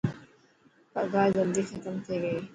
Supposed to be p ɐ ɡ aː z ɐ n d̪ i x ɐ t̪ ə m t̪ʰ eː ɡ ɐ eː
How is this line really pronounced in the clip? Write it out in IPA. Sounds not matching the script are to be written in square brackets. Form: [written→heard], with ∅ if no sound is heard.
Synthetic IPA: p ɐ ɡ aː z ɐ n d̪ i x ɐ t̪ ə m t̪ʰ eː ɡ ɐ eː